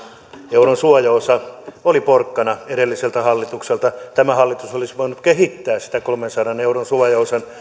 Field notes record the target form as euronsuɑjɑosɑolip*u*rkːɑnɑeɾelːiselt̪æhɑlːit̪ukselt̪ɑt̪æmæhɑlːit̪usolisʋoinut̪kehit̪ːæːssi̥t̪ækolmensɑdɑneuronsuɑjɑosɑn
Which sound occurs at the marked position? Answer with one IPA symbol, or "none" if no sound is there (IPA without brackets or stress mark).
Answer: o